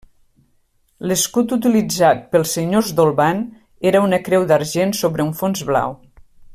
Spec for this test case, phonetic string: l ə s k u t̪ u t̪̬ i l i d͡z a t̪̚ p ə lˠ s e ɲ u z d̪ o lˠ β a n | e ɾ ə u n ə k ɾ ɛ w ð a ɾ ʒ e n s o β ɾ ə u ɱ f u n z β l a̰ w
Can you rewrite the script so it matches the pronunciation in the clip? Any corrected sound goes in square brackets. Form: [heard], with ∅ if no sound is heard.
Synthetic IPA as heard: l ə s k u t̪ u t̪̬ i l i d͡z a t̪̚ p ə lˠ s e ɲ [o] z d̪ o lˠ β a n | e ɾ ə u n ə k ɾ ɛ w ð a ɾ ʒ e n s o β ɾ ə u ɱ f [o] n z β l a̰ w